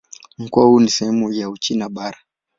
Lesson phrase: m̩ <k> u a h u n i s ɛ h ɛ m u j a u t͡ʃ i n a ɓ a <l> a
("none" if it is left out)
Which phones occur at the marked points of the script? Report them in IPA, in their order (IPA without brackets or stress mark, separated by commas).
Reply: k, ɾ